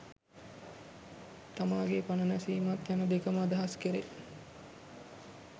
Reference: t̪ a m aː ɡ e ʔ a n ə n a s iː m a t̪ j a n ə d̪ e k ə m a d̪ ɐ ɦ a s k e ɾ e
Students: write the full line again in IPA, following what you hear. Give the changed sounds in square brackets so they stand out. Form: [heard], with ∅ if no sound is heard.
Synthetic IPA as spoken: t̪ a m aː ɡ e [p] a n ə n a s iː m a t̪ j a n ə d̪ e k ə m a d̪ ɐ ɦ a s k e ɾ e